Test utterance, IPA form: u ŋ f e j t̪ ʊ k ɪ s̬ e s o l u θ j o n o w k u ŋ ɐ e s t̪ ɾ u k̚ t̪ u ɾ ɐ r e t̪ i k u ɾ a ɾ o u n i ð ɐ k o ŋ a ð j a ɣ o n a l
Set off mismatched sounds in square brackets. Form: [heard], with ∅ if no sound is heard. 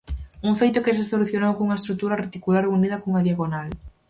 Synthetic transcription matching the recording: u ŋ f e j t̪ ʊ k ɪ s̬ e s o l u θ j o n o w k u ŋ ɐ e s t̪ ɾ u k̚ t̪ u ɾ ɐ r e t̪ i k u [l] a ɾ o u n i ð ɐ k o ŋ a ð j a ɣ o n a l